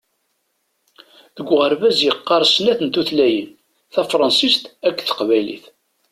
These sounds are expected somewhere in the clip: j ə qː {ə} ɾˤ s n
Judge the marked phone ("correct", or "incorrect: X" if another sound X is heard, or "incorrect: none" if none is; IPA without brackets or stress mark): incorrect: ɑ